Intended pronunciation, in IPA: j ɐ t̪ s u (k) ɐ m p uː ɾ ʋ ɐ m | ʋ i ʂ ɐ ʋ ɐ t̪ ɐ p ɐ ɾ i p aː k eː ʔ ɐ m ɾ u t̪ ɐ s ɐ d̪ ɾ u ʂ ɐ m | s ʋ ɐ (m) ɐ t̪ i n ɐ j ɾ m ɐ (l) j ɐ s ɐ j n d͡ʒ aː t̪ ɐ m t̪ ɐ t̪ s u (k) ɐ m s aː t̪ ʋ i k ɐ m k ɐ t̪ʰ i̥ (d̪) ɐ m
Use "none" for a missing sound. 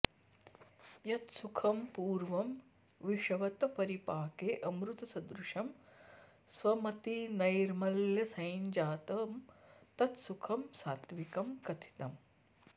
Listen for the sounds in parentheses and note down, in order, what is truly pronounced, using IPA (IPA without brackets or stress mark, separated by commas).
kʰ, m, l, kʰ, t̪